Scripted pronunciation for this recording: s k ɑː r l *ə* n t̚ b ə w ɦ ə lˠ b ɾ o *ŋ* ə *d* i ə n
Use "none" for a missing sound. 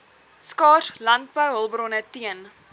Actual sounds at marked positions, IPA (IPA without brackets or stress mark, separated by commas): ɐ, n, t